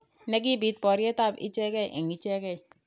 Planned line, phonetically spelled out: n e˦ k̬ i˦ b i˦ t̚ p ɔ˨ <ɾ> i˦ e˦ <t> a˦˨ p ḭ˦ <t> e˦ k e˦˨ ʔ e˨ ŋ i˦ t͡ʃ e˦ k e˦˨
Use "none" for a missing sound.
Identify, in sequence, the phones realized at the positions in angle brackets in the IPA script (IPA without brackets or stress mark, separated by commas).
ɾ, t, t͡ʃ